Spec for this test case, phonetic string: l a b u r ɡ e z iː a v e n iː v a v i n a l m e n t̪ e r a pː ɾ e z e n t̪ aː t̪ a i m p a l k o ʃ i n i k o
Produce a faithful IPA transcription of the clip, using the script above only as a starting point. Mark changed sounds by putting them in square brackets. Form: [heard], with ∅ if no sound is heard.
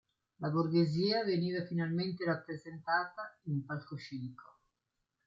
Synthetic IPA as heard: l a b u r ɡ e z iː a v e n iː v a [f] i n a l m e n t̪ e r a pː ɾ e z e n t̪ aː t̪ a i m p a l k o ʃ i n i k o

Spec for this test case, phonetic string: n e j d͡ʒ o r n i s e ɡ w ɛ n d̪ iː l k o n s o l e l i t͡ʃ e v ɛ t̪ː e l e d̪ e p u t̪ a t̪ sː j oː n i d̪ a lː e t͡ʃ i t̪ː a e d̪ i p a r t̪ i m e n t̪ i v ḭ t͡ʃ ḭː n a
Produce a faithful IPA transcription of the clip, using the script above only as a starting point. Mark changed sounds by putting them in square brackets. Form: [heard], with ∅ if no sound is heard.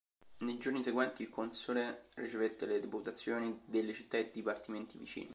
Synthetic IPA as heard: n e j d͡ʒ o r n i s e ɡ w ɛ n [t̪] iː l k o n s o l e [r] i t͡ʃ e v [e] t̪ː e l e d̪ e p u t̪ a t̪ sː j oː n i d̪ [e] lː e t͡ʃ i t̪ː a e d̪ i p a r t̪ i m e n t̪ i v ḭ t͡ʃ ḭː n [i]

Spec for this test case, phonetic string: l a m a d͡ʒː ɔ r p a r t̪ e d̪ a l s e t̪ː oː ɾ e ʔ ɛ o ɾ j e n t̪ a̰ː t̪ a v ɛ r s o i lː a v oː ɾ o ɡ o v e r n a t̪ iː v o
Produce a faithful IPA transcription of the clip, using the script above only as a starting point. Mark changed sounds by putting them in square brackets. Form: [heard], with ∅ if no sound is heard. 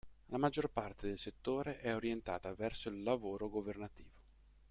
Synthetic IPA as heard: l a m a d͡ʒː [o] r p a r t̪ e d̪ [e] l s e t̪ː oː ɾ e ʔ ɛ o ɾ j e n t̪ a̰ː t̪ a v ɛ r s o i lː a v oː ɾ o ɡ o v e r n a t̪ iː v o

